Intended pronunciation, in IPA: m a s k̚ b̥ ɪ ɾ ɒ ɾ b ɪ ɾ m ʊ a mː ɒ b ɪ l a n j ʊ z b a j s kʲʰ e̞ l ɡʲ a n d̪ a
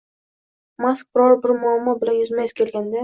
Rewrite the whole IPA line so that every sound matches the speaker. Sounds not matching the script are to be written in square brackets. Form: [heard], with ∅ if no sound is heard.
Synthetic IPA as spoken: m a s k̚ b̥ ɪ ɾ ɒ ɾ b ɪ ɾ m ʊ a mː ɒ b ɪ l a n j ʊ z [m] a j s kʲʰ e̞ l ɡʲ a n d̪ a